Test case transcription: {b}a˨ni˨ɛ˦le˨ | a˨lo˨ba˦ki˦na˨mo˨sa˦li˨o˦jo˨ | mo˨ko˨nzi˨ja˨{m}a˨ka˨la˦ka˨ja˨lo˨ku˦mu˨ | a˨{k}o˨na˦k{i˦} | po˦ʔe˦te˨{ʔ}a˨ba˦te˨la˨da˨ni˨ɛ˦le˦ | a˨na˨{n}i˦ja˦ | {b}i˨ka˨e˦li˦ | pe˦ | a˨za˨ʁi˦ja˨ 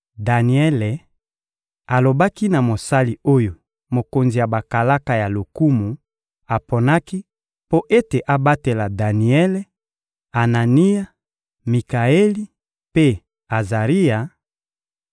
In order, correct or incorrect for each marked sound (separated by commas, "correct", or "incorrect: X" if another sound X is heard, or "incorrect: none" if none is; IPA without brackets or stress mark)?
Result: incorrect: d, incorrect: b, incorrect: p, correct, correct, correct, incorrect: m